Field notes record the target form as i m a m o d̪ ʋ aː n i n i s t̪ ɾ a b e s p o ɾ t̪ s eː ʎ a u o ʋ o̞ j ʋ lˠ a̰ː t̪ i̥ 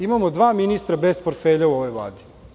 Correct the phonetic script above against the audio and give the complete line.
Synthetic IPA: i m a m o d̪ ʋ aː m i n i s t̪ ɾ a b e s p o ɾ t̪ f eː ʎ a u o ʋ o̞ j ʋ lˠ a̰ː d̪ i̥